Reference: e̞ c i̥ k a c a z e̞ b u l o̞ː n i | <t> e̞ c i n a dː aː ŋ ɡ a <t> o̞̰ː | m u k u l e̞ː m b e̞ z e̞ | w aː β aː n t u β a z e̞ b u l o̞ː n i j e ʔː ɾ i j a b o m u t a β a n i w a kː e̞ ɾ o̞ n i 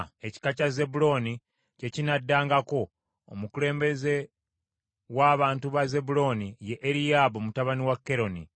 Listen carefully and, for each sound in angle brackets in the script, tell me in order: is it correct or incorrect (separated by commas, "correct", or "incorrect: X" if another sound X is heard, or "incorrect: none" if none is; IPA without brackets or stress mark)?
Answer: incorrect: c, incorrect: k